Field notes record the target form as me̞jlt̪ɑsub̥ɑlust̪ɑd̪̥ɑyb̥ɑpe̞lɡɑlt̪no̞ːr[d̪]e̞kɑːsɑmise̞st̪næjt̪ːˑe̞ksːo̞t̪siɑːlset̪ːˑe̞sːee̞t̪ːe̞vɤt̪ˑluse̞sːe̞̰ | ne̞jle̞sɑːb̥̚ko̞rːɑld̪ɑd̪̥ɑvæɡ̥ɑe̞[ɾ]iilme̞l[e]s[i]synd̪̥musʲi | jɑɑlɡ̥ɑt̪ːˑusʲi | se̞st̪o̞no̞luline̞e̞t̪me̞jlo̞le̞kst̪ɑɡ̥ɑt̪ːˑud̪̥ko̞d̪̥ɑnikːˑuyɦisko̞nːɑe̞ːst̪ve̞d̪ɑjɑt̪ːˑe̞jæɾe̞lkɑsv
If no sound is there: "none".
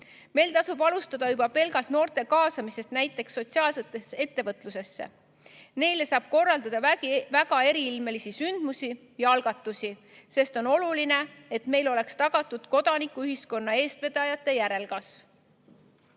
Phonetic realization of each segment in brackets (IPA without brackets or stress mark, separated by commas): t̪, ɾ, i, i